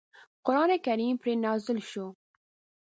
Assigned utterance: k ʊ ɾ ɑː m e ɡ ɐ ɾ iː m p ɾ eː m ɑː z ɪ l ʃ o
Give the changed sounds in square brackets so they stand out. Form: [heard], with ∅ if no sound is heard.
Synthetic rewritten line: [q] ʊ ɾ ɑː [n] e [k] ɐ ɾ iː m p ɾ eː [n] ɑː z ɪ l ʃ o